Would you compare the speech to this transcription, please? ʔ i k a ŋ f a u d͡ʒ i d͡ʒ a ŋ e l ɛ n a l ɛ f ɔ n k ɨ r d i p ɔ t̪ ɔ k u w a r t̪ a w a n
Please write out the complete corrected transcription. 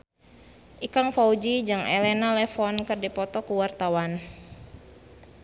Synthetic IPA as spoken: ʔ i k a ŋ f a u d͡ʒ i d͡ʒ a ŋ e l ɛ n a l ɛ f ɔ n k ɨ r d i p ɔ t̪ ɔ k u w a r t̪ a w a n